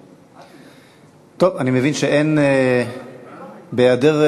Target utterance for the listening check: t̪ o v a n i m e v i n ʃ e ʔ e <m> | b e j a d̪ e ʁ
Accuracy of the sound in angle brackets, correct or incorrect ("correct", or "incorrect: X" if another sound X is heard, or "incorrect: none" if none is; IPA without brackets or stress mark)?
incorrect: n